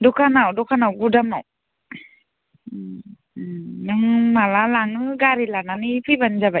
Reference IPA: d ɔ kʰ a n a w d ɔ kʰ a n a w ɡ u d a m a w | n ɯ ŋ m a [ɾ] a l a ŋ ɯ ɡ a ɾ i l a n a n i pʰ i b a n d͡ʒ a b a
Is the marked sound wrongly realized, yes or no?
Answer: yes